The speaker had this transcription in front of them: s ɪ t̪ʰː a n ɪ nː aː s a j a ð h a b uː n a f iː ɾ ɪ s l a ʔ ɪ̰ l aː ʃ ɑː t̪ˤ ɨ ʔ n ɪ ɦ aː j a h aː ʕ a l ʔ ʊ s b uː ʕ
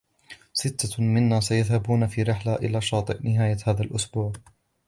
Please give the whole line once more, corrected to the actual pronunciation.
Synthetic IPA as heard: s ɪ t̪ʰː a m ɪ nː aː s a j a ð h a b uː n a f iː ɾ ɪ ħ l a ʔ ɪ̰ l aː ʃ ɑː t̪ˤ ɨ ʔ n ɪ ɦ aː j a h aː ð a l ʔ ʊ s b uː ʕ